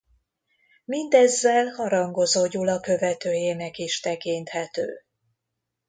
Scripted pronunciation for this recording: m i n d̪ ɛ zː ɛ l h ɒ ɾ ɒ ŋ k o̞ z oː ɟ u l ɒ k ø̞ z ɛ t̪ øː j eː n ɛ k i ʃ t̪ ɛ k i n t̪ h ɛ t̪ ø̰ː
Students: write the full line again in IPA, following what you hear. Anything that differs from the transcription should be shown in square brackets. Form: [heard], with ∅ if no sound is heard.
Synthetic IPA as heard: m i n d̪ ɛ zː ɛ l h ɒ ɾ ɒ ŋ [ɡ] o̞ z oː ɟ u l ɒ k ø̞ [v] ɛ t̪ øː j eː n ɛ k i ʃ t̪ ɛ k i n t̪ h ɛ t̪ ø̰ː